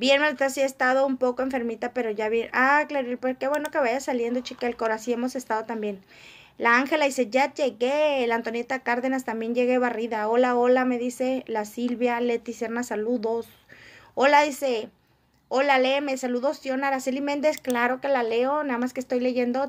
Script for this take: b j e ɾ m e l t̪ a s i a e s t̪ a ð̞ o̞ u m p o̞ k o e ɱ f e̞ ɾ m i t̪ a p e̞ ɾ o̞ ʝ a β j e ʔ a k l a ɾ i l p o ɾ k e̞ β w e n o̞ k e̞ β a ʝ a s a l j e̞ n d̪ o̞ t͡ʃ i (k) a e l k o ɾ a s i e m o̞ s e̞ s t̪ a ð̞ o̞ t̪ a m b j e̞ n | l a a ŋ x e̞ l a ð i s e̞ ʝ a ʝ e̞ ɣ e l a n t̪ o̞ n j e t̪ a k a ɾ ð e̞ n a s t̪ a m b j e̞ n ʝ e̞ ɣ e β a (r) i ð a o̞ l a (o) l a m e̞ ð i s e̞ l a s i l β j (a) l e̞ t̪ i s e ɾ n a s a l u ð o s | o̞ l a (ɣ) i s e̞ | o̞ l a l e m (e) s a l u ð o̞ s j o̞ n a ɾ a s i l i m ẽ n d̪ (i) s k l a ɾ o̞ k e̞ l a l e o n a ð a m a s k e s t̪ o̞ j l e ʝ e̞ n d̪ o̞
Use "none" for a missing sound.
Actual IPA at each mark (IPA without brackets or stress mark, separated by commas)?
k, r, o, a, ð, e, e